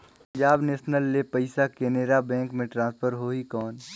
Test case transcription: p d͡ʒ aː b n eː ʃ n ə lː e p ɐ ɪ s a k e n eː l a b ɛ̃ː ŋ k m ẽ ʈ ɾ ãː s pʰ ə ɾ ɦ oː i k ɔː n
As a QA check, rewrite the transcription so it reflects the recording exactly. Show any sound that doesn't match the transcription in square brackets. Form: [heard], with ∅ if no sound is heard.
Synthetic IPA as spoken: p d͡ʒ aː b n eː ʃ n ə lː e p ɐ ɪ s a k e n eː [ɾ] a b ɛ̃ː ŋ k m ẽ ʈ ɾ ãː s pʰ ə ɾ ɦ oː i k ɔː n